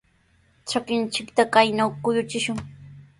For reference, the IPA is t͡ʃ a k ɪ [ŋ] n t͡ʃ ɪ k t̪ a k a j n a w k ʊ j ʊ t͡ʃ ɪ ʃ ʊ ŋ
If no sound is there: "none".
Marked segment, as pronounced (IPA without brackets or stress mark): none